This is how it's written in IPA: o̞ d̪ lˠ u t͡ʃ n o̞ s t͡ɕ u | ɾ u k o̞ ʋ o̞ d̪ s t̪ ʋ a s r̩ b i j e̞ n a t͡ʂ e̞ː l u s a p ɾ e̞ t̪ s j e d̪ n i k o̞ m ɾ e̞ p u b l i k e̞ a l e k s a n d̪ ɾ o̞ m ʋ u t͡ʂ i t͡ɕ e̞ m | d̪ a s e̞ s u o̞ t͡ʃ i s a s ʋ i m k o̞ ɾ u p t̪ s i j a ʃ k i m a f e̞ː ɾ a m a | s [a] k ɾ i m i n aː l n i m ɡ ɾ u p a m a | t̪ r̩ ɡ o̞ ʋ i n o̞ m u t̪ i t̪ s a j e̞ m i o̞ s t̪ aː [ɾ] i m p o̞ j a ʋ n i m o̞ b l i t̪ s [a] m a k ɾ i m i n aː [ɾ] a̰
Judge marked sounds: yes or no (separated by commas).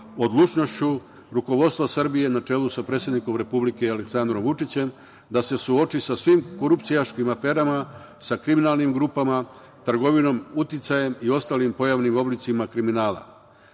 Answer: yes, no, no, no